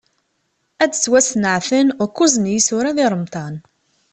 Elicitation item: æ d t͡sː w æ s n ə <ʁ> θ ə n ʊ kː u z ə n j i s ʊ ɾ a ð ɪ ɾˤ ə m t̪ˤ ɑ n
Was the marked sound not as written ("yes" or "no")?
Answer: yes